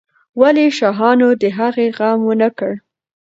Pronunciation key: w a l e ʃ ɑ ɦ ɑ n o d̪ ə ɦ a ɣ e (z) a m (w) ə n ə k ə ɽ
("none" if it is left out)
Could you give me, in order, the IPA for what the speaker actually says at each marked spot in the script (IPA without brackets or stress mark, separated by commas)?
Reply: ɣ, w